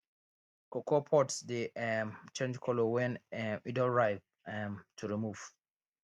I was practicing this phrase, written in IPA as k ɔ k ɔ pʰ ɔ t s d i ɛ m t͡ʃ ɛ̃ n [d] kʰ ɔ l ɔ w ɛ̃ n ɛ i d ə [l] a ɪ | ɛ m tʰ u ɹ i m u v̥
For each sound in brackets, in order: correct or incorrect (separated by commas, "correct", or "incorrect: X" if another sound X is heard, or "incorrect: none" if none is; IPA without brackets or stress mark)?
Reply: incorrect: d͡ʒ, incorrect: ɹ